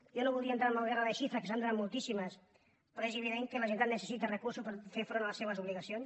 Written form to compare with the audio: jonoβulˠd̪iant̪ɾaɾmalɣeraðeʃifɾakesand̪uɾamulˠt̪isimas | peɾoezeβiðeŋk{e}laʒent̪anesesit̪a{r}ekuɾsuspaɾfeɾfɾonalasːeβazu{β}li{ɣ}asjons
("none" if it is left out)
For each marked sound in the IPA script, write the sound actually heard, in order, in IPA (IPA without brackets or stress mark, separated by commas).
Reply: e, r, β, ɣ